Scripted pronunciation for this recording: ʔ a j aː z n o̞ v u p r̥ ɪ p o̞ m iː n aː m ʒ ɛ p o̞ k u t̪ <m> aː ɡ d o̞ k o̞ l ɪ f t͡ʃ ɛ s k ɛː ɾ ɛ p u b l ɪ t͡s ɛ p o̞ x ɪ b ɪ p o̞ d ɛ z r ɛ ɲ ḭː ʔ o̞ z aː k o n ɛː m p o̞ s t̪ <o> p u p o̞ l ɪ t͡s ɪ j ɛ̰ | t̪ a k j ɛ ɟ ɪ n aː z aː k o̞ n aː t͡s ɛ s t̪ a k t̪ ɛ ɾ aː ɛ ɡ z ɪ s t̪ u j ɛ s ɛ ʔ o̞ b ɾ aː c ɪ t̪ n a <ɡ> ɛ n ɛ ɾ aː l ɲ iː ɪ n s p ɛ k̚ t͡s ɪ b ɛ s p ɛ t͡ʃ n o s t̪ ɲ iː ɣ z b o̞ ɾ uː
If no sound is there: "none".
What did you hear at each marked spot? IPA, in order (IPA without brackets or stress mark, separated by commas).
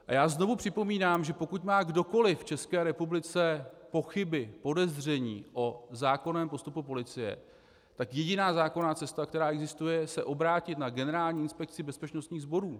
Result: m, u, ɡ